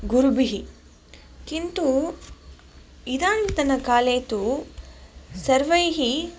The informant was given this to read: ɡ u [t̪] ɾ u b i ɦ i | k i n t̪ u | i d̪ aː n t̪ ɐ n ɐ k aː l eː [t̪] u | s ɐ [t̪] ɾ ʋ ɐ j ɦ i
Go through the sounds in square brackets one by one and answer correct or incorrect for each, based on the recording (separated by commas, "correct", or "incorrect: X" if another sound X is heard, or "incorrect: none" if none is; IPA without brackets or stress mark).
incorrect: none, correct, incorrect: none